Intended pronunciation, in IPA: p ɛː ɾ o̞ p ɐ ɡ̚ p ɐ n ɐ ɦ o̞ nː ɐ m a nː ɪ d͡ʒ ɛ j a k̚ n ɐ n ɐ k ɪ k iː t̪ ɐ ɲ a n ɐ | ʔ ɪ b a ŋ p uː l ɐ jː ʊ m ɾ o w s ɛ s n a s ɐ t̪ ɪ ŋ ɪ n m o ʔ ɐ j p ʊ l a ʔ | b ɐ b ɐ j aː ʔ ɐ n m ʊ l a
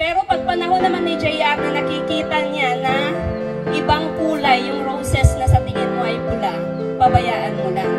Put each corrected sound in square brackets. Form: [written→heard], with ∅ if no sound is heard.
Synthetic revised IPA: p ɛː ɾ o̞ p ɐ ɡ̚ p ɐ n ɐ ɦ o̞ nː ɐ m a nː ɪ d͡ʒ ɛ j a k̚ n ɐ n ɐ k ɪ k iː t̪ ɐ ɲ a n ɐ | ʔ ɪ b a ŋ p uː l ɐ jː ʊ [m→ŋ] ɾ o w s ɛ s n [a→ɐ] s ɐ t̪ ɪ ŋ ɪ n m o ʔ ɐ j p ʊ l a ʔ | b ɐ b ɐ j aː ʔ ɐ n m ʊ l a

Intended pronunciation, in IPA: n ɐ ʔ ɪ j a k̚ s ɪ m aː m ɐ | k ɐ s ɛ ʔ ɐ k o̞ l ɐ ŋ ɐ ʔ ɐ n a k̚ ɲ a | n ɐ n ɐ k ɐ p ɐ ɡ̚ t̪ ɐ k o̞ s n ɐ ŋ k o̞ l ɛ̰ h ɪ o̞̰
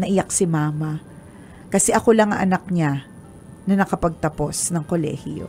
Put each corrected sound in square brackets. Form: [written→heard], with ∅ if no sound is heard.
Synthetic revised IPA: n ɐ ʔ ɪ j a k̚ s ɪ m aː m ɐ | k ɐ s ɛ ʔ ɐ k o̞ l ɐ ŋ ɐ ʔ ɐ n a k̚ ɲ a | n ɐ n ɐ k ɐ p ɐ ɡ̚ t̪ ɐ [k→p] o̞ s n ɐ ŋ k o̞ l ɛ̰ h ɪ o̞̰

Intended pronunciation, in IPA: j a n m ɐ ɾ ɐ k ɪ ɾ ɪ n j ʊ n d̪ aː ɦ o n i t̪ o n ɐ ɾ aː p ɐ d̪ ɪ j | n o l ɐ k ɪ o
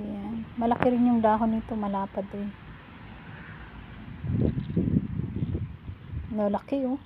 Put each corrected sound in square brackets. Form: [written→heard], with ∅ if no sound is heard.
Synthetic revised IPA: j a n m ɐ [ɾ→l] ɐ k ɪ ɾ ɪ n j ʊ [n→ŋ] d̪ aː ɦ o n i t̪ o [n→m] ɐ [ɾ→l] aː p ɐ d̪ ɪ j | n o l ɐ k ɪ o

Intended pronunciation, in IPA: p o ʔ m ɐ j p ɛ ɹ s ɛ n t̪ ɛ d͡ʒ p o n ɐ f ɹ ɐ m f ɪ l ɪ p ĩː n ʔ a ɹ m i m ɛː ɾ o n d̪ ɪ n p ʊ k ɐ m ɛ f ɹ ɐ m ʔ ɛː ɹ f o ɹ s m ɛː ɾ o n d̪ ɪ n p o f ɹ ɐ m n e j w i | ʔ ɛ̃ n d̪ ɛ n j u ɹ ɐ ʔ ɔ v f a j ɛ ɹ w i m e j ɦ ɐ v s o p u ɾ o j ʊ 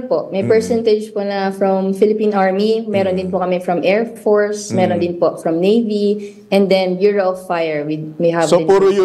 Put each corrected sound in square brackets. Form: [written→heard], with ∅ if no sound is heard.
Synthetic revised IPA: p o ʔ m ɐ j p ɛ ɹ s ɛ n t̪ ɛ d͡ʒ p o n ɐ f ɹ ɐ m f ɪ l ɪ p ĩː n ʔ a ɹ m i m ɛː ɾ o n d̪ ɪ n p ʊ k ɐ m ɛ f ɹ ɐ m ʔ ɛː ɹ f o ɹ s m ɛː ɾ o n d̪ ɪ n p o f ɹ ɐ m n e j [w→v] i | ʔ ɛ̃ n d̪ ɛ n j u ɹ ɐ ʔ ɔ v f a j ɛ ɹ w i m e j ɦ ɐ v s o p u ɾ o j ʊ

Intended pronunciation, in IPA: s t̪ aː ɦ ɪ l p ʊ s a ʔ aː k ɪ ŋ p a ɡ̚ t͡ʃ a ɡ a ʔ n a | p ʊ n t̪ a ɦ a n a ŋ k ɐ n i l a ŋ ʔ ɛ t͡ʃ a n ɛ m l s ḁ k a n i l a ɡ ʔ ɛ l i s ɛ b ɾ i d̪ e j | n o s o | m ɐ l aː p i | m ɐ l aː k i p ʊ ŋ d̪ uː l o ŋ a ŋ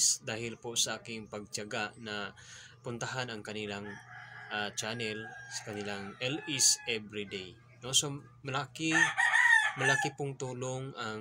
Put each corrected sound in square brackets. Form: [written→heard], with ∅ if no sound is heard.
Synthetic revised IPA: s [t̪→d̪] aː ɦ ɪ l p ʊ s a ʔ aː k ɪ ŋ p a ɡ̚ t͡ʃ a ɡ a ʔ n a | p ʊ n t̪ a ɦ a n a ŋ k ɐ n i l a ŋ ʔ [ɛ→a] t͡ʃ a n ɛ [m→∅] l s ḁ k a n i l a [ɡ→ŋ] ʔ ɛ l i s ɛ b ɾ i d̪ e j | n o s o | m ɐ l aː [p→k] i | m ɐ l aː k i p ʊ ŋ [d̪→t̪] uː l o ŋ a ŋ

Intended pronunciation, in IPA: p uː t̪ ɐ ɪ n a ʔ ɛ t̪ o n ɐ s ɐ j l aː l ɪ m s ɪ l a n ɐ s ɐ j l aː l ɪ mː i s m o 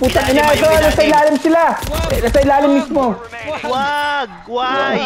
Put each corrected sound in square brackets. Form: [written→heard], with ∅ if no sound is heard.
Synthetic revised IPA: p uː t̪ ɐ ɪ n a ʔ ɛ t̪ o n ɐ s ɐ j l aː l ɪ m s ɪ l a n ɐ s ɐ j l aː l ɪ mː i s m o

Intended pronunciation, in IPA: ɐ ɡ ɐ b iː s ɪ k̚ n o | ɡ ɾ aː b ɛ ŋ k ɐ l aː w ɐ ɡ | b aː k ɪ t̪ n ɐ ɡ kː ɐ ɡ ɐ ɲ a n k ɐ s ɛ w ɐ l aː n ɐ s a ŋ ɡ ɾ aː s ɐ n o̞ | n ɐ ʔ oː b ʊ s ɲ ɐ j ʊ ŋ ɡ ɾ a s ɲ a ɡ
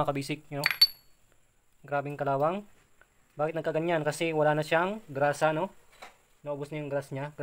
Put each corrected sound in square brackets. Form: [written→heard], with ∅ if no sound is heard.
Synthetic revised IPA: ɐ [ɡ→k] ɐ b iː s ɪ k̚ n o | ɡ ɾ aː b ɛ ŋ k ɐ l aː w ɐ [ɡ→ŋ] | b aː k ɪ t̪ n ɐ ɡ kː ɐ ɡ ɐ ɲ a n k ɐ s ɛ w ɐ l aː n ɐ [s→ʃ] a ŋ ɡ ɾ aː s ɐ n o̞ | n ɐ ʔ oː b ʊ s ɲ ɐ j ʊ ŋ ɡ ɾ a s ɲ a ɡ

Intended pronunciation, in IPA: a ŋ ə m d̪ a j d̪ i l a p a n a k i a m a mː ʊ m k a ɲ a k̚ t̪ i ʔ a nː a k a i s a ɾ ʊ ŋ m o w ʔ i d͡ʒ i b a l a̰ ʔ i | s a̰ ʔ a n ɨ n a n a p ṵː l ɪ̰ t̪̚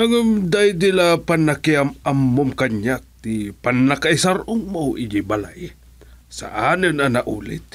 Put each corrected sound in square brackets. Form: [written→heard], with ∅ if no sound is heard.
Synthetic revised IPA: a ŋ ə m d̪ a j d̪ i l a p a n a k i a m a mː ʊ m k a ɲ a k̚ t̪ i [ʔ→p] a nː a k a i s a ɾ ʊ ŋ m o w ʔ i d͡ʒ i b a l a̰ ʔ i | s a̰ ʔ a n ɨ n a n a [p→ʔ] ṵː l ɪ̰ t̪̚

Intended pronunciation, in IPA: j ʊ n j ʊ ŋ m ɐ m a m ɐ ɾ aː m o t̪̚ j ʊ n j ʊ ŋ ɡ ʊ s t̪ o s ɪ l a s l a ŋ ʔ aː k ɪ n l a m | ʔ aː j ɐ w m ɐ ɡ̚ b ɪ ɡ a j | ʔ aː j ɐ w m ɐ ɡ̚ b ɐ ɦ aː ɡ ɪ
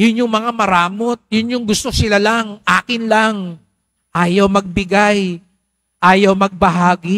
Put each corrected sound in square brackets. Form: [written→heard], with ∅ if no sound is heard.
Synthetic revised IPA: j ʊ n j ʊ ŋ m ɐ [m→ŋ] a m ɐ ɾ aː m o t̪̚ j ʊ n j ʊ ŋ ɡ ʊ s t̪ o s ɪ l a [s→∅] l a ŋ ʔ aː k ɪ n l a [m→ŋ] | ʔ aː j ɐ w m ɐ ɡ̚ b ɪ ɡ a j | ʔ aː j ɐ w m ɐ ɡ̚ b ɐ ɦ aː ɡ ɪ

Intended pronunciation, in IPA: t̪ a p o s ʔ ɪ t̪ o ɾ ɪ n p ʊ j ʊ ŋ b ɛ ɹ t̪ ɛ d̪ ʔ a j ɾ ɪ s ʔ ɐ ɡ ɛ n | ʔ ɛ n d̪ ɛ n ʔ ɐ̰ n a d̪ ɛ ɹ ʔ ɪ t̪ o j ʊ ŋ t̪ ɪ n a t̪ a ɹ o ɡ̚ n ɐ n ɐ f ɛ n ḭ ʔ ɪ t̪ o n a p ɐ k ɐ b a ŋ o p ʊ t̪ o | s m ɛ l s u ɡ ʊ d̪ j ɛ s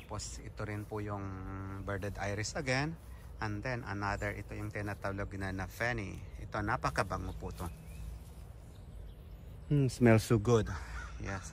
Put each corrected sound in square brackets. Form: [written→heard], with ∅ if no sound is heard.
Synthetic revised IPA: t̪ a p o s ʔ ɪ t̪ o ɾ ɪ n p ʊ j ʊ ŋ b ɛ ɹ [t̪→d̪] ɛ d̪ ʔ a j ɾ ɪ s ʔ ɐ ɡ ɛ n | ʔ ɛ n d̪ ɛ n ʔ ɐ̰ n a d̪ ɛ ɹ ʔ ɪ t̪ o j ʊ ŋ t̪ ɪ n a t̪ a [ɹ→l] o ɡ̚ n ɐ n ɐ f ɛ n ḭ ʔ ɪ t̪ o n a p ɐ k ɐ b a ŋ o p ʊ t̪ o | s m ɛ l s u ɡ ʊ d̪ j ɛ s

